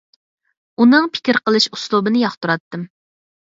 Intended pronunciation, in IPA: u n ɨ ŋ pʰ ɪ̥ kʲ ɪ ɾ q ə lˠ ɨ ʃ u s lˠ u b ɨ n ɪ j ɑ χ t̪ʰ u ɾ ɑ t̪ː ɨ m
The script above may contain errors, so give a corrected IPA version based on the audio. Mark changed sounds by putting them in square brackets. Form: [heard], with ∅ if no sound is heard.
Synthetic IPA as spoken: u n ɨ ŋ pʰ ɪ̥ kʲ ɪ ɾ q ə lˠ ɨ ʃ u s lˠ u b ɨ n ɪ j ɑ χ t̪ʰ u ɾ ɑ t̪ː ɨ m